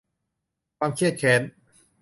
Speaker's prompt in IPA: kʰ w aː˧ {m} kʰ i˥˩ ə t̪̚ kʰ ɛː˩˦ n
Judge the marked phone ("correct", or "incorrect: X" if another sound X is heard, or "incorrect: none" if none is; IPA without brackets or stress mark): correct